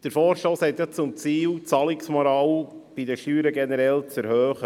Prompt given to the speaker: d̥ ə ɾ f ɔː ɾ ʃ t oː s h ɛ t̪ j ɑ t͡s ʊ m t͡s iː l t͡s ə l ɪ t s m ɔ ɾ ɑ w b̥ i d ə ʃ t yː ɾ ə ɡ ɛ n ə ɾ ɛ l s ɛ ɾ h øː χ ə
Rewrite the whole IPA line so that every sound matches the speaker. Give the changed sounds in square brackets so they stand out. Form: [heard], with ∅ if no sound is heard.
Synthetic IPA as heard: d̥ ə ɾ f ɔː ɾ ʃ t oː s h ɛ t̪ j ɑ t͡s ʊ m t͡s iː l t͡s [ɑ] l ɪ [k] s m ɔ ɾ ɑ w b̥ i d ə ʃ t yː ɾ ə ɡ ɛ n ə ɾ ɛ l [t͡s] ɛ ɾ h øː χ ə